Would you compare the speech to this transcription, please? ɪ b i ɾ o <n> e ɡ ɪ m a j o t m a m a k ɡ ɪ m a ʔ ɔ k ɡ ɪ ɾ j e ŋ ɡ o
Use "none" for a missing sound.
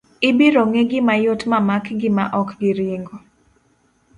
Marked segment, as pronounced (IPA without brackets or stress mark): ŋ